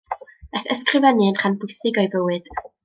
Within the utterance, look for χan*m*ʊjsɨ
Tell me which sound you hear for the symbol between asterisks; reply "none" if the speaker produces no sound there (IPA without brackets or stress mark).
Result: b